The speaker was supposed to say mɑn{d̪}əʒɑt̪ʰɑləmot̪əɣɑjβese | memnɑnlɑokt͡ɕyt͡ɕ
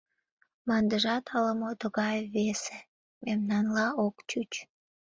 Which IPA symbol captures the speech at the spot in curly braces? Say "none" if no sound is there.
d̪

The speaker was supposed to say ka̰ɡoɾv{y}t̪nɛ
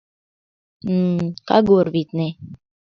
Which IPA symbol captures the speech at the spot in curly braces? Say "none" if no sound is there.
i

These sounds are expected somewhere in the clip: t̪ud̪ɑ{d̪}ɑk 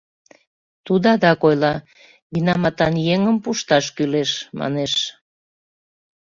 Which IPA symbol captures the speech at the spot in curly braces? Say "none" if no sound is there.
d̪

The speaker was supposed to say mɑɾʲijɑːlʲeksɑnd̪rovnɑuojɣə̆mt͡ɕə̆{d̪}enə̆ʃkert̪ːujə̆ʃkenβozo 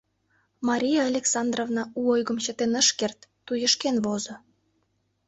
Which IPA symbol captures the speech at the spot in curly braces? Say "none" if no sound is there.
t̪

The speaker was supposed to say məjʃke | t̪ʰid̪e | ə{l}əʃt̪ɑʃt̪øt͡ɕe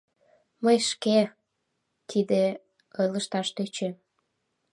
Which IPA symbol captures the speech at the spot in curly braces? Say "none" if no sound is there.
l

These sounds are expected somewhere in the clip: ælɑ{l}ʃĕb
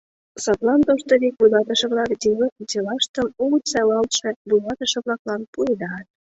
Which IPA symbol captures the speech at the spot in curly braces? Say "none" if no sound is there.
l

